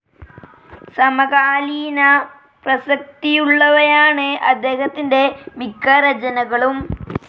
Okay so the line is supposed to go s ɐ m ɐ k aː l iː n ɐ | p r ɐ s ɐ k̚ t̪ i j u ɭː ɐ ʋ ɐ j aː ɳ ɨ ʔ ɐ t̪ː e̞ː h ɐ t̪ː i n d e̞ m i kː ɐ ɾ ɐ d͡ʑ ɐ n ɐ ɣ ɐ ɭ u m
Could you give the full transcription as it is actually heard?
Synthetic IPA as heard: s ɐ m ɐ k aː l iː n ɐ | p r ɐ s ɐ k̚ t̪ i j u ɭː ɐ ʋ ɐ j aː ɳ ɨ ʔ ɐ d̪ː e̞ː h ɐ t̪ː i n d e̞ m i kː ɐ ɾ ɐ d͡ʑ ɐ n ɐ ɣ ɐ ɭ u m